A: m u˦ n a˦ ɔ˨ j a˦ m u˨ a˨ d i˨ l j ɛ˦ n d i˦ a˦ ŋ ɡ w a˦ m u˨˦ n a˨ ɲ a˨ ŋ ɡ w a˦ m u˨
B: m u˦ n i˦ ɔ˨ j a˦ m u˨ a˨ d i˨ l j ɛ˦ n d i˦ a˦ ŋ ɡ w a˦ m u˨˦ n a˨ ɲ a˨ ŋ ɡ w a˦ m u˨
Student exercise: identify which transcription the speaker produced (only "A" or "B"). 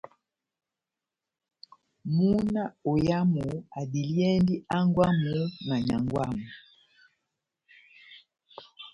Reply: A